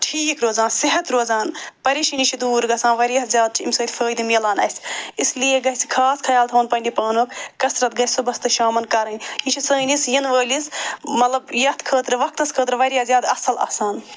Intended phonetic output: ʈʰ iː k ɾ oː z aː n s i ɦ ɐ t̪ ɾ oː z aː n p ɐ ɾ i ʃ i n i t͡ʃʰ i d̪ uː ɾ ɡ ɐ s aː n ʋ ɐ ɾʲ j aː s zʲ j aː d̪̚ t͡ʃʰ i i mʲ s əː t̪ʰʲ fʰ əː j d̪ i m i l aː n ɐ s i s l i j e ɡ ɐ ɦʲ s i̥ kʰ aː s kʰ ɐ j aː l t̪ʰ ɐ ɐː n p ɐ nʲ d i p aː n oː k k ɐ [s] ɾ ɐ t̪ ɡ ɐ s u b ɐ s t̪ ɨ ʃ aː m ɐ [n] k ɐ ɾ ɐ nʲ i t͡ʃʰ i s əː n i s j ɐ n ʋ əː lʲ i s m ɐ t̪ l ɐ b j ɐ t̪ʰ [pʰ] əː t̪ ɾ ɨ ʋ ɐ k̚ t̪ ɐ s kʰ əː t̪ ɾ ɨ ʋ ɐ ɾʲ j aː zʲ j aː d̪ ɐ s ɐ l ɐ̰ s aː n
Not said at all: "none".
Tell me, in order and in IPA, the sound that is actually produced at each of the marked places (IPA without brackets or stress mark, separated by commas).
s, n, kʰ